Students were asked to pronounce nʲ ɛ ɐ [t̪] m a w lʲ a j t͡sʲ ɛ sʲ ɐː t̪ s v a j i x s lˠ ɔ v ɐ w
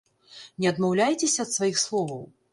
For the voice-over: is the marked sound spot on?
no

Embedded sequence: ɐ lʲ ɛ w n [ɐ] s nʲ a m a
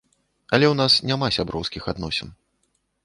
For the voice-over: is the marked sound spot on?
no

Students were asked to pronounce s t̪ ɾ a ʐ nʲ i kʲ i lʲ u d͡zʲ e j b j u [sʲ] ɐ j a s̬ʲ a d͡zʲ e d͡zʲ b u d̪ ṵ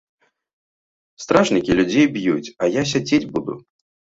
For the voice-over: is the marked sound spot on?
no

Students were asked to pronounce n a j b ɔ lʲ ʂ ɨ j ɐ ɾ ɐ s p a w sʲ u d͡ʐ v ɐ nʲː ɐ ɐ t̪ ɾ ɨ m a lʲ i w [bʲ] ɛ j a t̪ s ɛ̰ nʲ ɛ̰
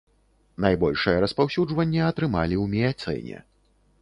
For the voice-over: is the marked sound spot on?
no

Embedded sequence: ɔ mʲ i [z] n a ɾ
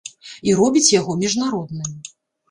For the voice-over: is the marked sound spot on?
no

